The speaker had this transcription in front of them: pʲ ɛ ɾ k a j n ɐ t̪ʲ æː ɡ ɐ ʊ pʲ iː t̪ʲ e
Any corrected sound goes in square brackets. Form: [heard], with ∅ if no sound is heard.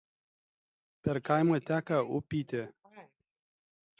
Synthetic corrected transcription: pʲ ɛ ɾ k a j [m] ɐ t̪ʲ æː [k] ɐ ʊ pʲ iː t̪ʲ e